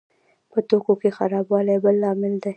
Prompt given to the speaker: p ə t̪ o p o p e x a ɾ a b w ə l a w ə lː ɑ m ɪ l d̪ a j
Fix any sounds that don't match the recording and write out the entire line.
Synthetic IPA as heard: p ə t̪ o k o k e x a ɾ ɑ b w ɑ l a b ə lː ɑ m ɪ l d̪ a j